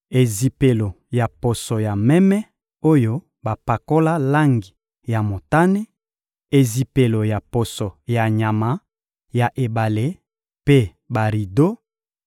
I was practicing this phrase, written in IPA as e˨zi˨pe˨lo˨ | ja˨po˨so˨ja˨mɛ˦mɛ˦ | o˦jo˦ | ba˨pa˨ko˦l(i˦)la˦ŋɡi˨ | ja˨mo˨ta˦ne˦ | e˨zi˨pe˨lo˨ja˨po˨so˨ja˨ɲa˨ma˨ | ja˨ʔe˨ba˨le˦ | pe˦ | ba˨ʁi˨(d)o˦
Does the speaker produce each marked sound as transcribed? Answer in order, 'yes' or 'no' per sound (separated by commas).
no, yes